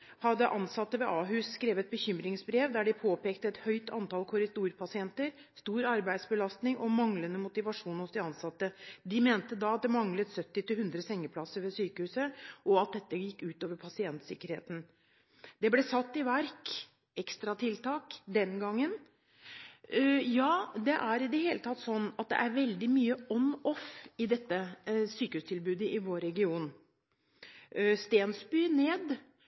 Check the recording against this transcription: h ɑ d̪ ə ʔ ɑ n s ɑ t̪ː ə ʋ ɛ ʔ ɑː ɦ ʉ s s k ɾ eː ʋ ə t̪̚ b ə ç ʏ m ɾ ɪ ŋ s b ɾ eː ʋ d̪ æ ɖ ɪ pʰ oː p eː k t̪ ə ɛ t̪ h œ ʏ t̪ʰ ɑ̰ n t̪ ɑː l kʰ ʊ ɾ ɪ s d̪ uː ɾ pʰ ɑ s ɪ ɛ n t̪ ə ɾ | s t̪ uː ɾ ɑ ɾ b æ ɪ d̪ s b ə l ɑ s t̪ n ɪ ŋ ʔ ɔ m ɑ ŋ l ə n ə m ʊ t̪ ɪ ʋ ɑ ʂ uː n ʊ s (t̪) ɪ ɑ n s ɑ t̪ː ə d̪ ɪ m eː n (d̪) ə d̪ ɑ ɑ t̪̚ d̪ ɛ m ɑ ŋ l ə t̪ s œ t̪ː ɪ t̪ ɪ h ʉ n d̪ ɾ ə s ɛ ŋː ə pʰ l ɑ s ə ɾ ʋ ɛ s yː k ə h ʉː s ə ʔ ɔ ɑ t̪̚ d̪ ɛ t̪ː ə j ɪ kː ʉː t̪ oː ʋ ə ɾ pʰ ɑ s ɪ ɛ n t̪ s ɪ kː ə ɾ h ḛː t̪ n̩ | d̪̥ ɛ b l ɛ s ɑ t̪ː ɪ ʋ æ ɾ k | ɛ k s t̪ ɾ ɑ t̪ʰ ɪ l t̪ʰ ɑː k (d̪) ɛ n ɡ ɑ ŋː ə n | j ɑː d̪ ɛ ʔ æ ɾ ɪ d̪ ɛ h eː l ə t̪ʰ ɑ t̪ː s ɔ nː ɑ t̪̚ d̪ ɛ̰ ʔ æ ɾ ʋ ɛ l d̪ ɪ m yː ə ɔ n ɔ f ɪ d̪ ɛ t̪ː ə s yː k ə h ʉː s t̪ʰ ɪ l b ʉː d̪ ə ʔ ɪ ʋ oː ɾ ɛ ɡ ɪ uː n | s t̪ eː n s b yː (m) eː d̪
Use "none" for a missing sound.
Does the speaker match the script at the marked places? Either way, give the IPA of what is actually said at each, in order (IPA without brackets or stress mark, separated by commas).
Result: d̪, t̪, d̪, n